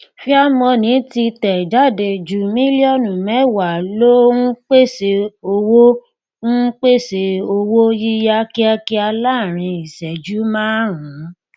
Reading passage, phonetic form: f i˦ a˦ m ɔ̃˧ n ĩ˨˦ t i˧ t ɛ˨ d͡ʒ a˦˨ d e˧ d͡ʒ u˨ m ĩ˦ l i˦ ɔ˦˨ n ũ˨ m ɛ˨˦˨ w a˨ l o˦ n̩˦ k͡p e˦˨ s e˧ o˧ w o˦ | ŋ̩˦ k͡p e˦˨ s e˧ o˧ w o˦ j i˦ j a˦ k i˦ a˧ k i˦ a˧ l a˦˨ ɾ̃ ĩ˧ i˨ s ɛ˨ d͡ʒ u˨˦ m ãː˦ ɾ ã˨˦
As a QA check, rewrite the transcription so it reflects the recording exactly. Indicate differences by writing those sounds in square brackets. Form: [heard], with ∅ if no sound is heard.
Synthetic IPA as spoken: f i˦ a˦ m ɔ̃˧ n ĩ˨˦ t i˧ t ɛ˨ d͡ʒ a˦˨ d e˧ d͡ʒ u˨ m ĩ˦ l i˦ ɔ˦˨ n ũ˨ m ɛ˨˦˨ w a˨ l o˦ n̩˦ k͡p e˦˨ s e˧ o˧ w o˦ | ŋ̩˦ k͡p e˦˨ s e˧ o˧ w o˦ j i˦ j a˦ k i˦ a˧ k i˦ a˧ l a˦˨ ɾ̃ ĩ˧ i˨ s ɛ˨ d͡ʒ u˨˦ m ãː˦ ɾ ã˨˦